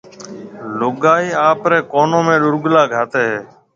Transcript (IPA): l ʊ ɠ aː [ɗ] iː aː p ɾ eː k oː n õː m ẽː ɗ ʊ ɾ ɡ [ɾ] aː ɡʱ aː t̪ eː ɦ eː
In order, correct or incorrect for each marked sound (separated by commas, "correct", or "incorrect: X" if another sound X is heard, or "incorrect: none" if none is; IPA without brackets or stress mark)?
incorrect: none, incorrect: l